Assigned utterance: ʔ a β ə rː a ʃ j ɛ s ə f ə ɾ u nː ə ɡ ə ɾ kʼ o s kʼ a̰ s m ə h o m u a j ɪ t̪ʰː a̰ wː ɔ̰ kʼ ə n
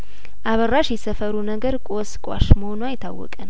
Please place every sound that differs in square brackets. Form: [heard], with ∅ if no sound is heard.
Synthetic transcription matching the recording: ʔ a β ə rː a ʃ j ɛ s ə f ə ɾ u [n] ə ɡ ə ɾ kʼ o s kʼ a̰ [ʃ] m ə h o [n] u a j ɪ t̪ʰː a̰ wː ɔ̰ kʼ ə n